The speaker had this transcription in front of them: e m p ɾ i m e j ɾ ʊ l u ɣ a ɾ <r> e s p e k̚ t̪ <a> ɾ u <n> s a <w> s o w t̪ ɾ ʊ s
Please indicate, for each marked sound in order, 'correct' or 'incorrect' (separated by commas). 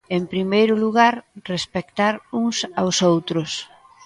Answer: correct, correct, incorrect, correct